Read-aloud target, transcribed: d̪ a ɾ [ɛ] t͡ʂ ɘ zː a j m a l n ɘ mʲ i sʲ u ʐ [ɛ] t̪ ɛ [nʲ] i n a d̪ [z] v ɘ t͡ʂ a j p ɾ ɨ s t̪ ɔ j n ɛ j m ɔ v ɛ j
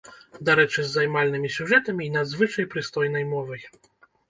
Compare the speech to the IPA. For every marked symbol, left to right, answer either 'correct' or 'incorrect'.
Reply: correct, correct, incorrect, correct

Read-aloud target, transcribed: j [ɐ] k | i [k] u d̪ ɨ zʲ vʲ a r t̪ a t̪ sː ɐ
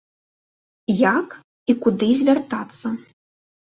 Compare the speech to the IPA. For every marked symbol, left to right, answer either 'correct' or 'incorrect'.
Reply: incorrect, correct

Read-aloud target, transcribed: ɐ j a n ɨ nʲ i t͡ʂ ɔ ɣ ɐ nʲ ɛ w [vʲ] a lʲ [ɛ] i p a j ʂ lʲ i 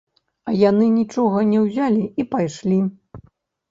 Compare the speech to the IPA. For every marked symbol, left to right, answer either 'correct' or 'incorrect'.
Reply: incorrect, incorrect

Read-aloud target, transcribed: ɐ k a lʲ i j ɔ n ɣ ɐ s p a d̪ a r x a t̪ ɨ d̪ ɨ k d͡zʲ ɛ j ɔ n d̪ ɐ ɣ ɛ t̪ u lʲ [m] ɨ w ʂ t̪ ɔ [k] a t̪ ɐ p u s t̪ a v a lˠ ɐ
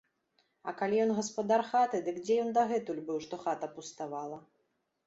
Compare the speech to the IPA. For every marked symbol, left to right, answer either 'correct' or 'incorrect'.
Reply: incorrect, incorrect

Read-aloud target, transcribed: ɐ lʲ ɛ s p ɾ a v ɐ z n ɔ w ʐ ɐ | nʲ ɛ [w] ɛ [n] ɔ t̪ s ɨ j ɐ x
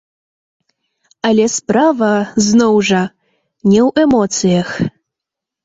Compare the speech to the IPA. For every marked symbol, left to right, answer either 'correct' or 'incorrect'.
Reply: correct, incorrect

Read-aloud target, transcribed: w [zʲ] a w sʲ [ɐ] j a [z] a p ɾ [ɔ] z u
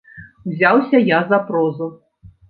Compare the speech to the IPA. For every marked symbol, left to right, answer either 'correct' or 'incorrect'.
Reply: correct, correct, correct, correct

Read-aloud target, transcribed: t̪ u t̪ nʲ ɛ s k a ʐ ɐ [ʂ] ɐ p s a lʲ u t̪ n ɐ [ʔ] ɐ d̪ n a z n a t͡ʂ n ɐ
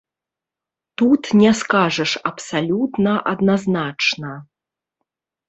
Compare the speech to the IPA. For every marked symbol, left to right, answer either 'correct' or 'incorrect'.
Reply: correct, correct

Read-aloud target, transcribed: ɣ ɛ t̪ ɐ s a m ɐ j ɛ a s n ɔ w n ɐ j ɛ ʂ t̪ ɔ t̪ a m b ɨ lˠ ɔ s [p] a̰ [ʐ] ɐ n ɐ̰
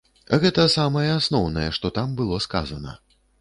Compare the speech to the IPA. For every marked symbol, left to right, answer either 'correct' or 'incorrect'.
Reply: incorrect, incorrect

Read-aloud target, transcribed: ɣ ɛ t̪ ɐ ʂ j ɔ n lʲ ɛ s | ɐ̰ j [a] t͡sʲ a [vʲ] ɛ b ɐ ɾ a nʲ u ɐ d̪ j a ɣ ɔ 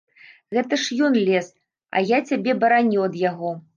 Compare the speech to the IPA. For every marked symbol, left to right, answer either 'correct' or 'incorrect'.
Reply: correct, incorrect

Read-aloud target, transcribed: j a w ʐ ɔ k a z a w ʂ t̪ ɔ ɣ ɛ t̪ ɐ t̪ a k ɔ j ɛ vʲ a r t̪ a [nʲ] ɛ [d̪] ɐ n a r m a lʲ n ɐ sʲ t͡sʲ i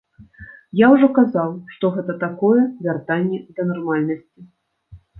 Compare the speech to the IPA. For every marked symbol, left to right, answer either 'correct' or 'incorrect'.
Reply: incorrect, correct

